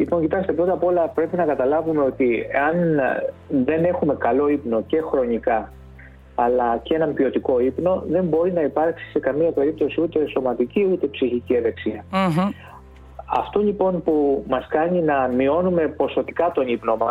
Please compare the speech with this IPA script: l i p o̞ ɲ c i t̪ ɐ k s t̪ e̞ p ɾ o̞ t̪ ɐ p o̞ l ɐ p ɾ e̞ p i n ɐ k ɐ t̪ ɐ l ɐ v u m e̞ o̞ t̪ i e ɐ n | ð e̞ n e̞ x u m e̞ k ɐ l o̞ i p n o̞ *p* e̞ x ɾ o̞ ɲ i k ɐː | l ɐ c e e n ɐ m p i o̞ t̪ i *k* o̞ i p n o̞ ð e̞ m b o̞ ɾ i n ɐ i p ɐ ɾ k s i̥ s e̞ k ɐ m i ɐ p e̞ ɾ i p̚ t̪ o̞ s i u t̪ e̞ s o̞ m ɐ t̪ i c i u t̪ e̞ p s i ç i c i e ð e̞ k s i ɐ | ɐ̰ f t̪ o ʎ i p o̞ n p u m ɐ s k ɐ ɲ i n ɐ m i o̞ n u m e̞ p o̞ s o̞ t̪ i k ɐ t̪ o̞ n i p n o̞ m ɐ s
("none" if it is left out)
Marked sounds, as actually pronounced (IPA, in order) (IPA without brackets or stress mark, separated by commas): c, k